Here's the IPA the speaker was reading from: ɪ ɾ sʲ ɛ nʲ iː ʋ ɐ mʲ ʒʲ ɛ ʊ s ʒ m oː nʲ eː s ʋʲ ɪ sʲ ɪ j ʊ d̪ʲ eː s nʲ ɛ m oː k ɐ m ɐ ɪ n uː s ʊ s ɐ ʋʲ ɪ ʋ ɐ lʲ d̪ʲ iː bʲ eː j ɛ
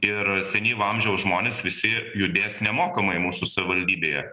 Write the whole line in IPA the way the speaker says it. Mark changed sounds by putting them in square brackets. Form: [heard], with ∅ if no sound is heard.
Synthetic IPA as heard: ɪ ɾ sʲ ɛ nʲ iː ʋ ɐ mʲ ʒʲ ɛ ʊ s ʒ m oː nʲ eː s ʋʲ ɪ sʲ ɪ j ʊ d̪ʲ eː s nʲ ɛ m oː k ɐ m ɐ ɪ [m] uː s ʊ s ɐ ʋʲ ɪ ʋ ɐ lʲ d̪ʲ iː bʲ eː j ɛ